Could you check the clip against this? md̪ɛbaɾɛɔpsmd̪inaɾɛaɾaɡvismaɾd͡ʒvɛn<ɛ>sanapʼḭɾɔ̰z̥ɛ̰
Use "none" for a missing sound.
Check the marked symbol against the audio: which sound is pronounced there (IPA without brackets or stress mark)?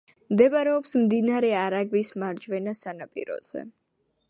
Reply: a